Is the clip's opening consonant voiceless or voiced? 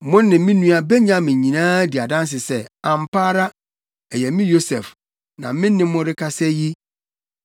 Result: voiced